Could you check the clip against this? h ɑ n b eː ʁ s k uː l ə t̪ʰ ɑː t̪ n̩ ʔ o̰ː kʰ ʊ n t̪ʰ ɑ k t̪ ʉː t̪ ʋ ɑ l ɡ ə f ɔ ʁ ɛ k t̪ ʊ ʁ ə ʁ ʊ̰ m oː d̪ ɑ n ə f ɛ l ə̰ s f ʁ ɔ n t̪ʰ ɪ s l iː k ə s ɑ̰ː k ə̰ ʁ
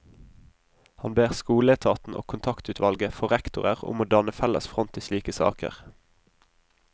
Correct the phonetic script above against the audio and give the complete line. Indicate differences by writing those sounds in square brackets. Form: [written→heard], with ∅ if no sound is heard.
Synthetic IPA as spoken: h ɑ n b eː ʁ s k uː l ə t̪ʰ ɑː t̪ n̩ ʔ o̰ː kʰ ʊ n t̪ʰ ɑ k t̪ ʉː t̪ ʋ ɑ l ɡ ə f ɔ ʁ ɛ k t̪ ʊ ʁ ə ʁ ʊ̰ m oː d̪ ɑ n ə f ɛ l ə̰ s f ʁ ɔ n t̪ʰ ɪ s l iː k ə s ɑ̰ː k ə̰ ʁ